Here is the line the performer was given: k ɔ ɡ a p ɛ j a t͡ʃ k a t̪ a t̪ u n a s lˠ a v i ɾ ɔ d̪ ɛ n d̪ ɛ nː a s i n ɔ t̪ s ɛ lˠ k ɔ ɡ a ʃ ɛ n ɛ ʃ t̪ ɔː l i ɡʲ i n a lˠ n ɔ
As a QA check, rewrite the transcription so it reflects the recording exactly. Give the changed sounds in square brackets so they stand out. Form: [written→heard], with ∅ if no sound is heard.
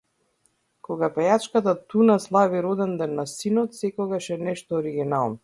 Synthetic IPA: k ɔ ɡ a p ɛ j a t͡ʃ k a t̪ a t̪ u n a s lˠ a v i ɾ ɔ d̪ ɛ n d̪ ɛ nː a s i n ɔ t̪ s ɛ [lˠ→∅] k ɔ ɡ a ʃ ɛ n ɛ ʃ t̪ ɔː [l→ɾ] i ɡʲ i n a lˠ n ɔ